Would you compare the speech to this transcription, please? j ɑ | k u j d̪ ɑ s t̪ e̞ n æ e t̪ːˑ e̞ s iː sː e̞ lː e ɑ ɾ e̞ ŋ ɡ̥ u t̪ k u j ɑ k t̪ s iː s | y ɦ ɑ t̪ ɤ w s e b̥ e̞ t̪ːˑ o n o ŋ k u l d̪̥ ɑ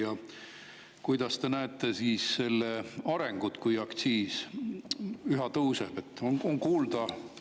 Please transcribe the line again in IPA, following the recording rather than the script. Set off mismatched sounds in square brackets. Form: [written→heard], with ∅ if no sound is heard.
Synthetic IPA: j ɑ | k u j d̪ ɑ s t̪ e̞ n æ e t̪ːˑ e̞ s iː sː e̞ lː e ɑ ɾ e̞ ŋ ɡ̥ u t̪ k u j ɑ k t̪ s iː s | y ɦ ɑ t̪ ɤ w s e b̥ e̞ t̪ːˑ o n o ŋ k [u→uː] l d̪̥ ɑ

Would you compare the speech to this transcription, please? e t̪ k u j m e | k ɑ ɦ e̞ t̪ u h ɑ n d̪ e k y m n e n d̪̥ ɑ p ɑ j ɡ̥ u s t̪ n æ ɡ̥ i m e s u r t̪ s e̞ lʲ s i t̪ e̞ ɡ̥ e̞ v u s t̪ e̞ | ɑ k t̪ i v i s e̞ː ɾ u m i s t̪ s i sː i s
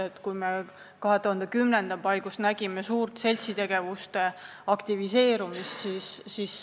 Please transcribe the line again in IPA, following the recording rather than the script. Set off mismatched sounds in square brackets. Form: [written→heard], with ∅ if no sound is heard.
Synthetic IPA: e t̪ k u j m e | k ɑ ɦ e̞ t̪ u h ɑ n d̪ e k y m n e n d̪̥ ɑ p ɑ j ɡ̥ u s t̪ n æ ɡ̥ i m e s [u→uː] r t̪ s e̞ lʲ s i t̪ e̞ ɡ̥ e̞ v u s t̪ e̞ | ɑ k t̪ i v i s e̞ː ɾ u m i s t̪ s i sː i s

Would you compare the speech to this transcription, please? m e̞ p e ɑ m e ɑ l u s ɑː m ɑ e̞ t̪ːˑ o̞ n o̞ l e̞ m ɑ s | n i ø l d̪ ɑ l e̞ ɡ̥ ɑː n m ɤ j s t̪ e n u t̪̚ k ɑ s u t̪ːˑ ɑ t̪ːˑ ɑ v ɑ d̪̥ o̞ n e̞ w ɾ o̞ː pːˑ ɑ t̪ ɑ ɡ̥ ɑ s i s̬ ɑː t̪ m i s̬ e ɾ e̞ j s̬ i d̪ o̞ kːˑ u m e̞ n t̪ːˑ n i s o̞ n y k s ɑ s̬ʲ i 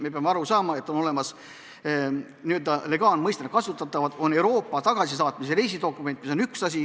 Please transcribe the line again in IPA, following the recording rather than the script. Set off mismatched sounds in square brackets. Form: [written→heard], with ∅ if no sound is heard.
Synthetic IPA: m e̞ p e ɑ m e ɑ [l→ɾ] u s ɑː m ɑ e̞ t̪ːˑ o̞ n o̞ l e̞ m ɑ s | n i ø l d̪ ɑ l e̞ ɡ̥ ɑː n m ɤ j s t̪ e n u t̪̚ k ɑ s u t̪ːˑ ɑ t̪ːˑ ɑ v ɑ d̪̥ o̞ n e̞ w ɾ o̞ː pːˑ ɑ t̪ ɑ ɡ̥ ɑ s i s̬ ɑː t̪ m i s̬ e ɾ e̞ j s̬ i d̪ o̞ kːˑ u m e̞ n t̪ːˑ [n→m] i s o̞ n y k s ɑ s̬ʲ i

